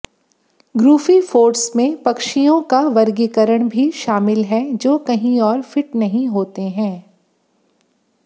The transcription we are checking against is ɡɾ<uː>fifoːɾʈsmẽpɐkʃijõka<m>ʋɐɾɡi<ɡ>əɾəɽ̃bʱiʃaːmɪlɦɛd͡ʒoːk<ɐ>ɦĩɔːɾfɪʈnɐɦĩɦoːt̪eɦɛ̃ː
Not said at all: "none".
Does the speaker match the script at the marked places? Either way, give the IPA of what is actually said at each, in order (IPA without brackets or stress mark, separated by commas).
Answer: uː, none, k, ɐ